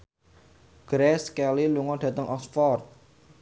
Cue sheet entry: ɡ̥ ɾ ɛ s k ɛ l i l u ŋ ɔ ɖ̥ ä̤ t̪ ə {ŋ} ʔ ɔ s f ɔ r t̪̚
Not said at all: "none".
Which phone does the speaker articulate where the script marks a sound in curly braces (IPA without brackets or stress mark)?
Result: ŋ